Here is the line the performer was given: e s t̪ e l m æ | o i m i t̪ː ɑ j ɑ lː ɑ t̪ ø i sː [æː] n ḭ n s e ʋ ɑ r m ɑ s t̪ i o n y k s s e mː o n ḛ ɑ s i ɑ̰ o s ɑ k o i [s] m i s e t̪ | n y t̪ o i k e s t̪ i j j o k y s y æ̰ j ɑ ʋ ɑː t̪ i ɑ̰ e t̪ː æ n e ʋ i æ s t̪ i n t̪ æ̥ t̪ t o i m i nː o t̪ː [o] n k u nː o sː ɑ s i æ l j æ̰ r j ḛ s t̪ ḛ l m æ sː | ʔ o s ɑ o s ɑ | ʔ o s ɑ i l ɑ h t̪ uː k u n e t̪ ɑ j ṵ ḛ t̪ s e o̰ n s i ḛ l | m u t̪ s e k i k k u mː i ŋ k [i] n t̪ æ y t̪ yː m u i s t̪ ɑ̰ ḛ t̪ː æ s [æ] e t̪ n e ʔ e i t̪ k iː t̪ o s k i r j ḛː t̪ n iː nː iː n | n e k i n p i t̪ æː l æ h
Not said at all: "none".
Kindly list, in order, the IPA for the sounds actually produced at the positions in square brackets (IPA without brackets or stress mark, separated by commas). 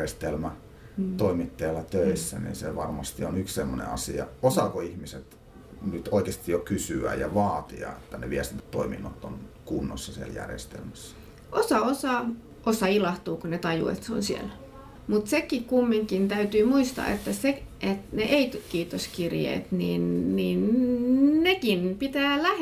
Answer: æ, h, o, i, e